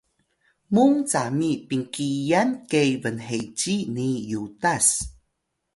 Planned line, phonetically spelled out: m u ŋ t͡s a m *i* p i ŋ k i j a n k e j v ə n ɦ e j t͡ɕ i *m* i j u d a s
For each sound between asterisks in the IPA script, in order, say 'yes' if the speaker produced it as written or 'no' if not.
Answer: yes, no

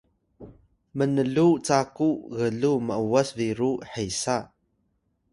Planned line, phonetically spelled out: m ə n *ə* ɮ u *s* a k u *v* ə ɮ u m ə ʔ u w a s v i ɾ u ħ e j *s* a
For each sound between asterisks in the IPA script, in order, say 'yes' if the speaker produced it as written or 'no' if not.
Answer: yes, no, no, yes

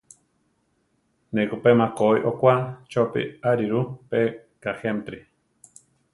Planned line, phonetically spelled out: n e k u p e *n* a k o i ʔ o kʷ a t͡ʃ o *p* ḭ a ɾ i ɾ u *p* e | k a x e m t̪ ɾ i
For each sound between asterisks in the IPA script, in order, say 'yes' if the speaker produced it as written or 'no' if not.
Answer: no, yes, yes

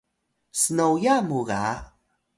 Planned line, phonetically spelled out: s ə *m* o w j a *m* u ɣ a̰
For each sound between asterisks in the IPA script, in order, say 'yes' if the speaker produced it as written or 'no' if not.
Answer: no, yes

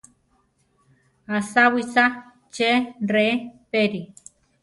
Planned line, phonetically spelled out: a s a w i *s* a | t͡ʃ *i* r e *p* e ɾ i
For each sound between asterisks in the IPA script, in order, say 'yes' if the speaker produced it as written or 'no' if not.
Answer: yes, no, yes

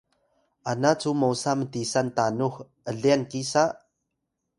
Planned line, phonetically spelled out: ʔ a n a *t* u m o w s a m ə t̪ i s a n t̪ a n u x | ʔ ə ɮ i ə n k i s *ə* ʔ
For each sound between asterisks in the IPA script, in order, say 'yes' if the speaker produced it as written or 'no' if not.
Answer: no, no

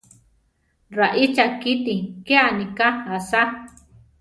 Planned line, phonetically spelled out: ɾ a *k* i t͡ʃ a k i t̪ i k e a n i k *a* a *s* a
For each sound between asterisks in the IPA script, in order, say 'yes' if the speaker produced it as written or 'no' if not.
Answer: no, yes, yes

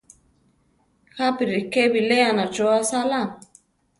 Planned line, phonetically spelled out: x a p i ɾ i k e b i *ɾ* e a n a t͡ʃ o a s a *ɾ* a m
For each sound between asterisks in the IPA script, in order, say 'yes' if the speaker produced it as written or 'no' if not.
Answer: no, no

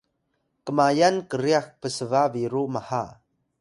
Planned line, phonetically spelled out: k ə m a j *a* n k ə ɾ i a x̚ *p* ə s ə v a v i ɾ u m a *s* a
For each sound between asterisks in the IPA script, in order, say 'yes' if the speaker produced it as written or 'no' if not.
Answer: yes, yes, no

